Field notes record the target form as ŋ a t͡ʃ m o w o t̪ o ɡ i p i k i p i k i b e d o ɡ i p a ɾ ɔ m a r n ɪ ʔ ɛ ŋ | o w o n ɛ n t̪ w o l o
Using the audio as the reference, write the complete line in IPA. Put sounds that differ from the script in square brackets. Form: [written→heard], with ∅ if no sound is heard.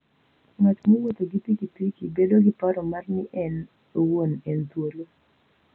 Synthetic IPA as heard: ŋ a t͡ʃ m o w o t̪ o ɡ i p i k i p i k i b e d o ɡ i p a ɾ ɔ m a r n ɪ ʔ ɛ [ŋ→n] | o w o n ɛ n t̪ w o l o